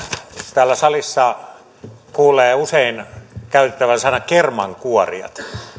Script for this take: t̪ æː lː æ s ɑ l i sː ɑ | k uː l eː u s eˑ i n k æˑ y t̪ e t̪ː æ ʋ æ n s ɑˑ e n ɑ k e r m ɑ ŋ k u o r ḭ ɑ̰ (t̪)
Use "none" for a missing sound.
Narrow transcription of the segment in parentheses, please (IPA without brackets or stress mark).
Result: t̪